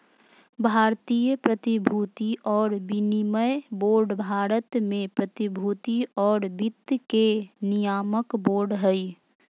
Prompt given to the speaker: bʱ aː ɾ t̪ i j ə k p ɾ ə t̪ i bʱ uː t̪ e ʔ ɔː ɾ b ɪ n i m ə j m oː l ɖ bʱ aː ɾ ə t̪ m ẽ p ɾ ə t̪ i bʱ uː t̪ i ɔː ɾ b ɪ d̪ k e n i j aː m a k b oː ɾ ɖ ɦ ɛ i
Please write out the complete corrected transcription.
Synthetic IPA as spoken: bʱ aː ɾ t̪ i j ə p ɾ ə t̪ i bʱ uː t̪ i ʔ ɔː ɾ b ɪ n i m ə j b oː ɾ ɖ bʱ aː ɾ ə t̪ m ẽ p ɾ ə t̪ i bʱ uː t̪ i ɔː ɾ b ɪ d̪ k e n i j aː m ə k b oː ɾ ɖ ɦ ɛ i